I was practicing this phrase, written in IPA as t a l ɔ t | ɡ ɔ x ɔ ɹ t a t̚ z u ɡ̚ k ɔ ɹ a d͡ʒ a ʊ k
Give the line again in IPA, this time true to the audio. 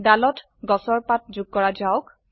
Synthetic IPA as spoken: d a l ɔ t | ɡ ɔ s ɔ ɹ p a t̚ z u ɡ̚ k ɔ ɹ a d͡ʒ a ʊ k